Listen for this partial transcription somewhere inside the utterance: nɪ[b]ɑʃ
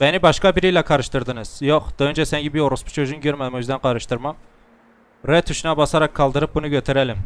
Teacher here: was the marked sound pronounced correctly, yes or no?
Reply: yes